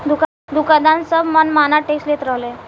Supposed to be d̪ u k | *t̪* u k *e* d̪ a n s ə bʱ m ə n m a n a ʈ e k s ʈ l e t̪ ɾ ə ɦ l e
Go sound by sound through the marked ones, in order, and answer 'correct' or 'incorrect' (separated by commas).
incorrect, incorrect